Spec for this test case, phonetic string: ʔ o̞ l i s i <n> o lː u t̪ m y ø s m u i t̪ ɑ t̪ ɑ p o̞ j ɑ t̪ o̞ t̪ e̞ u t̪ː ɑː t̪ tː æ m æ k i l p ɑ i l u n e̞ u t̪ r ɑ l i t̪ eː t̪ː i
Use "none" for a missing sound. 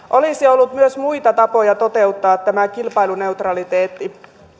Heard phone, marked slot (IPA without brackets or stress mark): none